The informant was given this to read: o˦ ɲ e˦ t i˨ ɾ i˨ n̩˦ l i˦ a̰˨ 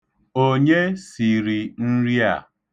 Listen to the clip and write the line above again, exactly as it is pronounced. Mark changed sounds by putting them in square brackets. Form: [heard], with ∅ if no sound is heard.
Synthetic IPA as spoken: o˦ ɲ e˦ [s] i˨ ɾ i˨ n̩˦ [ɾ] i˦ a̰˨